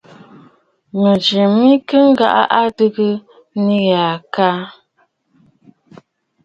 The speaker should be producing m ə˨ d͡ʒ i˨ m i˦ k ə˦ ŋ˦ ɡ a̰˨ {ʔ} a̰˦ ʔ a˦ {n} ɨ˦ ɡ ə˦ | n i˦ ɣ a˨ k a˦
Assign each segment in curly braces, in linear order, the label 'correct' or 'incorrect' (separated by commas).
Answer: correct, incorrect